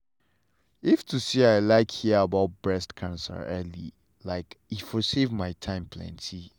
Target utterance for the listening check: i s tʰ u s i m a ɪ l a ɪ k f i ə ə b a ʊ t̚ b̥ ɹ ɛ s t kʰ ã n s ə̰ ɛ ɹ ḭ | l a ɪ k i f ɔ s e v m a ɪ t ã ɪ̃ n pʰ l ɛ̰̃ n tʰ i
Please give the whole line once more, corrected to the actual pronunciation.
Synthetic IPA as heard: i f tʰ u s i a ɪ l a ɪ k h i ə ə b a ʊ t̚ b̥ ɹ ɛ s t kʰ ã n s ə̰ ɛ l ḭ | l a ɪ k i f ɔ s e v m a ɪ tʰ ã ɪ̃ m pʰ l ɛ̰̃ n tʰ i